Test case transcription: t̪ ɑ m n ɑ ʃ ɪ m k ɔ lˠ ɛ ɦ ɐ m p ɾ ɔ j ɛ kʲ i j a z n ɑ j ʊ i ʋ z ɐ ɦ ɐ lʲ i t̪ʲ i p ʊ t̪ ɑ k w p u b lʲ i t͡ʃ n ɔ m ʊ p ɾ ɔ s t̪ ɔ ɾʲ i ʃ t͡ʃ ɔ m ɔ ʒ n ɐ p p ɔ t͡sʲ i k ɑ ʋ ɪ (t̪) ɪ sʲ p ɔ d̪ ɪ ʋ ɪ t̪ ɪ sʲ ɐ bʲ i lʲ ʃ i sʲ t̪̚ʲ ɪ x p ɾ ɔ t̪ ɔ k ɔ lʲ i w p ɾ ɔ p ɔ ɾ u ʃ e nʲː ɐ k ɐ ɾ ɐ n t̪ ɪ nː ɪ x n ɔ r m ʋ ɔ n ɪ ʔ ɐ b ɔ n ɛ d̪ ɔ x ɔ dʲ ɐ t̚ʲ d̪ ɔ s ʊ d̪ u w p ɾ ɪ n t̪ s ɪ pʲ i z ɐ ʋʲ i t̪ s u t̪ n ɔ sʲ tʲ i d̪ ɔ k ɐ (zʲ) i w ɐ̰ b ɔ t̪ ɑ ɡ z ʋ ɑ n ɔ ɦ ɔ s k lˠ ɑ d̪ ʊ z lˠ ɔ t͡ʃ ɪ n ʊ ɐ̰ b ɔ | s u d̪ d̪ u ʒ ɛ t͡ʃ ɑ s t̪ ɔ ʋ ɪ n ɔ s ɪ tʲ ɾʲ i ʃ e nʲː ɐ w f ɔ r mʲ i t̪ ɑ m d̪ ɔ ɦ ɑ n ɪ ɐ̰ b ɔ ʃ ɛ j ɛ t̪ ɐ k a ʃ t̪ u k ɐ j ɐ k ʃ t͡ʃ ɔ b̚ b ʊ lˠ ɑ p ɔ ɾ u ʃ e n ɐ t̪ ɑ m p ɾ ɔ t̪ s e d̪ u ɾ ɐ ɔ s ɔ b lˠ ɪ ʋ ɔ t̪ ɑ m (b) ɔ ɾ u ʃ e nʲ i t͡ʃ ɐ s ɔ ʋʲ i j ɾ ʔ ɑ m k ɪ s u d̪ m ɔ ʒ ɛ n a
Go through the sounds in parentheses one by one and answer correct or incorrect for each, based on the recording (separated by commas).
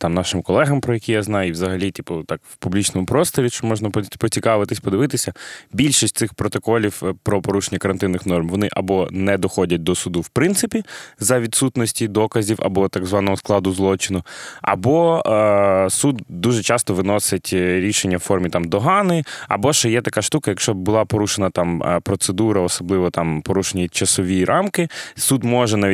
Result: correct, correct, incorrect